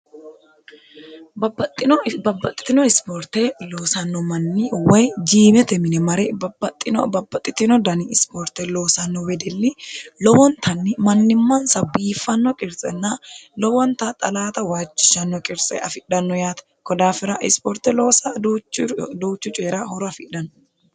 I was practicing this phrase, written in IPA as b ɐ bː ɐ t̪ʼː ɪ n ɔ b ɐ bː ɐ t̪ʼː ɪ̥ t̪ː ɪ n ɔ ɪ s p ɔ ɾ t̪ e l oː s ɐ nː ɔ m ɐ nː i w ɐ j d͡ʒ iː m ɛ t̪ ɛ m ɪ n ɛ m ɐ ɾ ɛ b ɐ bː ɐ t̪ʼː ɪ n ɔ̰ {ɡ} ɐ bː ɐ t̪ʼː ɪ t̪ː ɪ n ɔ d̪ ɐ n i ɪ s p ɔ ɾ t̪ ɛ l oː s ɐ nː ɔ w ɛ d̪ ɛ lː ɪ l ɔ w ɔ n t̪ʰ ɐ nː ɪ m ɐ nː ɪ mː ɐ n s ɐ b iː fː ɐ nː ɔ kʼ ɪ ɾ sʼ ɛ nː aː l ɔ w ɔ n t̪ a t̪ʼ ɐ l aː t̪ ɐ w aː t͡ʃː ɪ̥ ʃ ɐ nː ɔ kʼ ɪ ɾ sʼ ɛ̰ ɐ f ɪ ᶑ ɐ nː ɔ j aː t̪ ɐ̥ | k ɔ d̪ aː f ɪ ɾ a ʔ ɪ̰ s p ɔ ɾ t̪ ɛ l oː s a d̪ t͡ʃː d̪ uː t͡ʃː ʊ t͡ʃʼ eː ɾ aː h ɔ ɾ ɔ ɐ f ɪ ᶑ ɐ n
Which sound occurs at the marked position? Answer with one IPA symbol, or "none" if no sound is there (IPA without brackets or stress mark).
b